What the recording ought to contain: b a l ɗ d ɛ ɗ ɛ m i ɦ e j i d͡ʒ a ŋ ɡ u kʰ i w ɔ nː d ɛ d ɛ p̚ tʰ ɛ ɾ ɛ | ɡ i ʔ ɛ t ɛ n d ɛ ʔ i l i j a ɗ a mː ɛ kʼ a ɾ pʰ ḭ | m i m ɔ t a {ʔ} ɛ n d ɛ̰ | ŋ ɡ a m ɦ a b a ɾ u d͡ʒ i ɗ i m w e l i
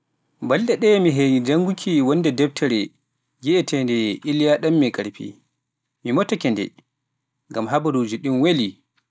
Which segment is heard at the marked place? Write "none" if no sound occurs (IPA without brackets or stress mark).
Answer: k